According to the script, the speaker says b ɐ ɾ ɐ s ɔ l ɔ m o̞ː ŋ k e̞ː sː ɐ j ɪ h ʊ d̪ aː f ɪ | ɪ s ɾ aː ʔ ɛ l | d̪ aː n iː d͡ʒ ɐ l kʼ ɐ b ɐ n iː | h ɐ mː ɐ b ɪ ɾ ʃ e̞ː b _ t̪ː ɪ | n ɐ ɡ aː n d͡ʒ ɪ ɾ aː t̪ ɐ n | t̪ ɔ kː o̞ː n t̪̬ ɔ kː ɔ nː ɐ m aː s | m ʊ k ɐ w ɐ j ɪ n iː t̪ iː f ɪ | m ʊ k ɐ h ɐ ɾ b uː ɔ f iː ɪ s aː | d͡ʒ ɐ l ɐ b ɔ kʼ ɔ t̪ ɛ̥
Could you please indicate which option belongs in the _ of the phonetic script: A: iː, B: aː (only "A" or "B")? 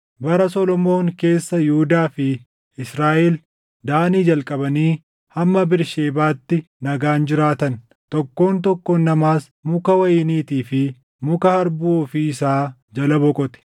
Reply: B